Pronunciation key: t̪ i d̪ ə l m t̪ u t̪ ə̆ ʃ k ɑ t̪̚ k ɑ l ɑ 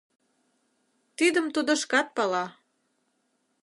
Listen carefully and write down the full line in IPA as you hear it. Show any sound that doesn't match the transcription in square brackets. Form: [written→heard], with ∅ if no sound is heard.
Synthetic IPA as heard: t̪ i d̪ ə [l→∅] m t̪ u [t̪→d̪] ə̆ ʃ k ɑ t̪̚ [k→p] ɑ l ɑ